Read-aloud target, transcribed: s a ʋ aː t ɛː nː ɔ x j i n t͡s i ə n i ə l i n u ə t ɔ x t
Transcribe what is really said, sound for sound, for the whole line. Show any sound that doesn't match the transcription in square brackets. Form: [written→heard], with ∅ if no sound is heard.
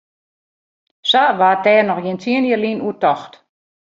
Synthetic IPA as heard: s a ʋ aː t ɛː [nː→n] ɔ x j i n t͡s i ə n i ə l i n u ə t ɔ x t